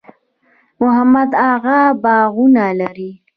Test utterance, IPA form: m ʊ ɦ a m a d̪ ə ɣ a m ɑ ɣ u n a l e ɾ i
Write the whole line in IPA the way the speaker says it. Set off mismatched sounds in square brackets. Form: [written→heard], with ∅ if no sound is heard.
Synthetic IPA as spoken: m ʊ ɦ a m a d̪ [ə→a] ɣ a [m→b] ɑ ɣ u n a l [e→a] ɾ i